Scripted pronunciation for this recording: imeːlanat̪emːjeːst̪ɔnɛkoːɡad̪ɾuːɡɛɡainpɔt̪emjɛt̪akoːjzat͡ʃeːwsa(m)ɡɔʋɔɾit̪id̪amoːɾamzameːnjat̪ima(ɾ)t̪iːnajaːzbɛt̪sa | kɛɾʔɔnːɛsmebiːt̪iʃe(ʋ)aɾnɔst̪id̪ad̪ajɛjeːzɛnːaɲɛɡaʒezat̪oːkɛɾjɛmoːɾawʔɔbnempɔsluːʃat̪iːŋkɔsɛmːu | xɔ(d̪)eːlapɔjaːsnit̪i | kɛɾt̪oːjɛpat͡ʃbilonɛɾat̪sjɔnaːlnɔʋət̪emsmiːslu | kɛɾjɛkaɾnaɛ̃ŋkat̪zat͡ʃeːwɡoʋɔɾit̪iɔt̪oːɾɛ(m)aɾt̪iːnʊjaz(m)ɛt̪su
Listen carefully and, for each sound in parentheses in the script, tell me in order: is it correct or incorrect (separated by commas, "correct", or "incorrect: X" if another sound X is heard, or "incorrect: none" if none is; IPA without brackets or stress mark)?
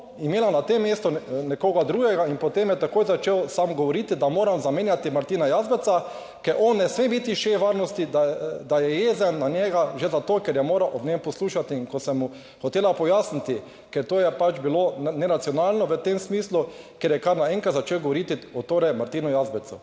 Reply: correct, correct, correct, incorrect: t̪, correct, incorrect: b